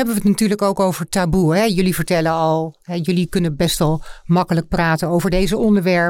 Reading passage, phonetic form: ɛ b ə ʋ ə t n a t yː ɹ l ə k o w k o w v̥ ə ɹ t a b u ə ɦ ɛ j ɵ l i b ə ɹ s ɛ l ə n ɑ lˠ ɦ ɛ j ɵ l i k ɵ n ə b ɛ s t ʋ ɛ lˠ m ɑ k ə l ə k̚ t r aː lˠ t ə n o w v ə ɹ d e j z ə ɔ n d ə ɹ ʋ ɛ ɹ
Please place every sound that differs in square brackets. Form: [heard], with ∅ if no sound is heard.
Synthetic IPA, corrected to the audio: ɛ b ə ʋ ə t n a t yː ɹ l ə k o w k o w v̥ ə ɹ t a b u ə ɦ ɛ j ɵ l i [v] ə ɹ [t] ɛ l ə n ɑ lˠ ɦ ɛ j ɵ l i k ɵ n ə b ɛ s t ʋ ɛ lˠ m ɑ k ə l ə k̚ [p] r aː [∅] t ə n o w v ə ɹ d e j z ə ɔ n d ə ɹ ʋ ɛ ɹ